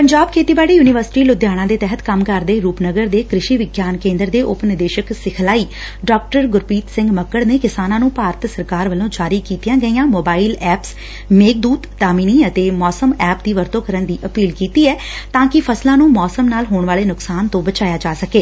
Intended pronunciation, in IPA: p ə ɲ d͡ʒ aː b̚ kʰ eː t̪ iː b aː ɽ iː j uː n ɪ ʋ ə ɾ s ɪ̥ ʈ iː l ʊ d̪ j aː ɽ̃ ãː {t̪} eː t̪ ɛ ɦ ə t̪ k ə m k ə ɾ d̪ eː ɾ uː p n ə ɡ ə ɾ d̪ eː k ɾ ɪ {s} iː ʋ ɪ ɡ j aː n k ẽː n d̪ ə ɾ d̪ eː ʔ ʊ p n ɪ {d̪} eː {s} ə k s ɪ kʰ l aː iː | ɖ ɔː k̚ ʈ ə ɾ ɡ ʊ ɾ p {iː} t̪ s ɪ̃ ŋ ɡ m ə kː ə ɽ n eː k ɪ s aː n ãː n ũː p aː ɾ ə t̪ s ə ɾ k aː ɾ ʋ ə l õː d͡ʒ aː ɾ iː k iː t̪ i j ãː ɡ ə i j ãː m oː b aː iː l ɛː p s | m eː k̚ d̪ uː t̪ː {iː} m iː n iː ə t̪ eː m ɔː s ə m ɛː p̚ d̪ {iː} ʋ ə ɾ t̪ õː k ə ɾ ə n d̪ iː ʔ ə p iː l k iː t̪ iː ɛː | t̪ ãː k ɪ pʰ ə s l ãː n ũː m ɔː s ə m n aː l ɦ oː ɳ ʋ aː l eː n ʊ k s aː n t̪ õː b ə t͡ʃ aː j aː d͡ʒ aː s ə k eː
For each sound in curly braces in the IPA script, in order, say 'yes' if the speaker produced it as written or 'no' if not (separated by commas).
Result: no, no, yes, no, yes, no, yes